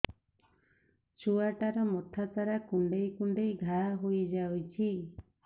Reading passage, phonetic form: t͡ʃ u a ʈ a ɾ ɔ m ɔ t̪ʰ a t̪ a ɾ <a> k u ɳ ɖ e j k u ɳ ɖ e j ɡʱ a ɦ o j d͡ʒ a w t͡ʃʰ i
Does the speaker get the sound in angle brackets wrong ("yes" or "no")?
no